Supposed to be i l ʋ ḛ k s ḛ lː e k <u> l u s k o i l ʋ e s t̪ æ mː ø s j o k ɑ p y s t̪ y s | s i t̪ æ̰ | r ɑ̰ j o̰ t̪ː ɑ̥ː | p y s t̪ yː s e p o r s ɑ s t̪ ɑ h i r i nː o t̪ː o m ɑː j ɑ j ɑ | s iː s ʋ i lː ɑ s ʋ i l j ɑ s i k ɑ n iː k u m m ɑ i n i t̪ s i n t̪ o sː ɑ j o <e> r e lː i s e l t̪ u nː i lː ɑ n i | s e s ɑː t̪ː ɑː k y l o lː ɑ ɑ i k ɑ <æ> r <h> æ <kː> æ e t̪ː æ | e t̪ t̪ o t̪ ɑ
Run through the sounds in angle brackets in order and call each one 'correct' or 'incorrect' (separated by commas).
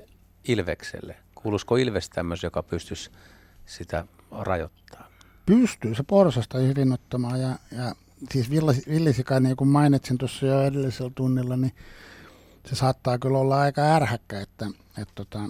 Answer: incorrect, correct, correct, correct, correct